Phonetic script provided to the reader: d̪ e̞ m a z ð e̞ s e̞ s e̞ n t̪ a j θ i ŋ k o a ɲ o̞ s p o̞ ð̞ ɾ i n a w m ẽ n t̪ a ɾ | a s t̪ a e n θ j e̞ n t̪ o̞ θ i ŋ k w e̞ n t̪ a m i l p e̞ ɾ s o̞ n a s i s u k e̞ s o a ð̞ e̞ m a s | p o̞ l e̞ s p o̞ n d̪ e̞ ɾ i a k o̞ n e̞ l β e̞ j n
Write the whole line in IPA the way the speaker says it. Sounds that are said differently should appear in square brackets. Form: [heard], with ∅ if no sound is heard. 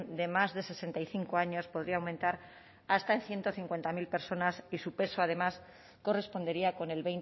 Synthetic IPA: d̪ e̞ m a z ð e̞ s e̞ s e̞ n t̪ a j θ i ŋ k o a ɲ o̞ s p o̞ ð̞ ɾ i [∅] a w m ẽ n t̪ a ɾ | a s t̪ a e n θ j e̞ n t̪ o̞ θ i ŋ k w e̞ n t̪ a m i l p e̞ ɾ s o̞ n a s i s u [p] e̞ s o a ð̞ e̞ m a s | [k] o̞ [r] e̞ s p o̞ n d̪ e̞ ɾ i a k o̞ n e̞ l β e̞ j n